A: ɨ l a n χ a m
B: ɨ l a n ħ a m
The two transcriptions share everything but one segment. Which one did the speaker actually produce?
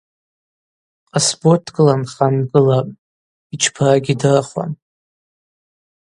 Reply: A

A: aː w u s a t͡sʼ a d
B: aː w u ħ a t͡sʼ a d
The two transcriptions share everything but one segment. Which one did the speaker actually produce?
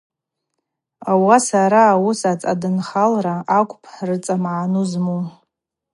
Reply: A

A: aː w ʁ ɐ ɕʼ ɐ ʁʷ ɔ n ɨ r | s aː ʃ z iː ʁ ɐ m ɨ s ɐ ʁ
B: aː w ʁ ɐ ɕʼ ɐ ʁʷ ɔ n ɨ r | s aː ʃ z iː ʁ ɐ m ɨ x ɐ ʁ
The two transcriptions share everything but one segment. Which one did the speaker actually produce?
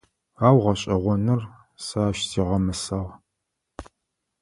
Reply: A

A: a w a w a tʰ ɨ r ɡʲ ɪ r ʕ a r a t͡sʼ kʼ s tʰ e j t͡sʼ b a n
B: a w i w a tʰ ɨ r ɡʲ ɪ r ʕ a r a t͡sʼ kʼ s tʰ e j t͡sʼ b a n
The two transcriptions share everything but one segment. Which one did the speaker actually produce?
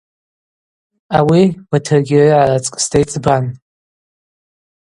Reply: B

